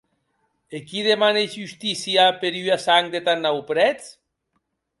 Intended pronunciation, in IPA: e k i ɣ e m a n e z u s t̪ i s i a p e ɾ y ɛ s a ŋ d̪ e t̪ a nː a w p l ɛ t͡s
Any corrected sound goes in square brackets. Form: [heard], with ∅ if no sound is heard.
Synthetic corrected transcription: e k i [ð] e m a n e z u s t̪ i s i a p e ɾ y [a] s a ŋ d̪ e t̪ a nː a w p [ɾ] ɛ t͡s